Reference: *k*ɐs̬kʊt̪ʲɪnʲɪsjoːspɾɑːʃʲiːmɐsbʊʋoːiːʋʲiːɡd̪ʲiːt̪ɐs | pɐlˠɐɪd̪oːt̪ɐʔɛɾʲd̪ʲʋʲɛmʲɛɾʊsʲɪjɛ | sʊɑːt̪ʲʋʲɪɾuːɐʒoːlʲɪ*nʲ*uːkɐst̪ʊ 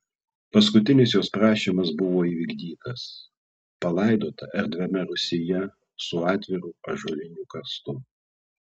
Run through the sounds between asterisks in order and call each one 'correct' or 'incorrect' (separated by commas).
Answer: incorrect, correct